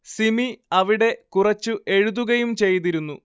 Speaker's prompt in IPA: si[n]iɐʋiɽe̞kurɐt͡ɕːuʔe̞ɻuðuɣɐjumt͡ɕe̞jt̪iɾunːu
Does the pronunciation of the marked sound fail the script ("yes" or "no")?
yes